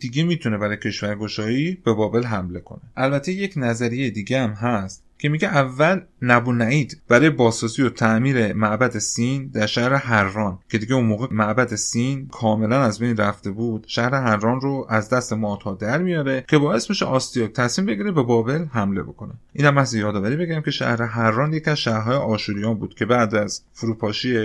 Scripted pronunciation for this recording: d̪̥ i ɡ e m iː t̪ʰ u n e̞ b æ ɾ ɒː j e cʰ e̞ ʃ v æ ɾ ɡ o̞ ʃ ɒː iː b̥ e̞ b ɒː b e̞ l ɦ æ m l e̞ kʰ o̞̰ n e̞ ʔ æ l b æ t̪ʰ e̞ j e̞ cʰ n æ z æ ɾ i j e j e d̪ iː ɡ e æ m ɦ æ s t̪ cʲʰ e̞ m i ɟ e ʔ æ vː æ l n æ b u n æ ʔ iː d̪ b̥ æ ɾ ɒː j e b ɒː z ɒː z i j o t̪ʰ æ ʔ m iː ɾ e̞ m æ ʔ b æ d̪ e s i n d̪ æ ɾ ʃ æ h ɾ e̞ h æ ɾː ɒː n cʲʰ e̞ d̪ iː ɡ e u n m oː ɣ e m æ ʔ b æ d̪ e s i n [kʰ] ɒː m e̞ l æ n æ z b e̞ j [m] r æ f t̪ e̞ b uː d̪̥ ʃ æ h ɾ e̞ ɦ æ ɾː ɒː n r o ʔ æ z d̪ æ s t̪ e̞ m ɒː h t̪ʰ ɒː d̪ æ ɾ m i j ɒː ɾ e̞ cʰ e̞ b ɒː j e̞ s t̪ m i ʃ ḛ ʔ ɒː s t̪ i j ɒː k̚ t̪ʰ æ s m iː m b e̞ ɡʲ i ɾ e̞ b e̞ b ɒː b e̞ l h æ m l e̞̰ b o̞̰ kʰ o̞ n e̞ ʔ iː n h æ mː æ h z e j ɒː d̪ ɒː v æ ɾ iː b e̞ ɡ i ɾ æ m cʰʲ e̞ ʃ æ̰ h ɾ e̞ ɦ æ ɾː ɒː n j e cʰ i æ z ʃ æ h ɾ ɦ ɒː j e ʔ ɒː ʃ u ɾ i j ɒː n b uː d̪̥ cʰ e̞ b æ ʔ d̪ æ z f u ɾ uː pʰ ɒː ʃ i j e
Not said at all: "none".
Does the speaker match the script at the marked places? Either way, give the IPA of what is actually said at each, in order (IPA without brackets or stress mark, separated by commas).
kʰ, n